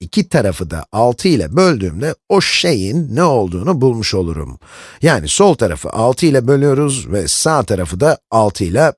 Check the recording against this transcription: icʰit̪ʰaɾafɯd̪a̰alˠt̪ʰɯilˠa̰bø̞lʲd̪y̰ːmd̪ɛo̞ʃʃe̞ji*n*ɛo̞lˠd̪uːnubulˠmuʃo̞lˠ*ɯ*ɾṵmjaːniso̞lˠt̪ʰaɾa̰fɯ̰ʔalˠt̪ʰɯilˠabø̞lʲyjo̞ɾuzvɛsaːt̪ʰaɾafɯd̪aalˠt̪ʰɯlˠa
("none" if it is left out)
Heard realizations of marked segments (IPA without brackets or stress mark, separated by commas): nː, u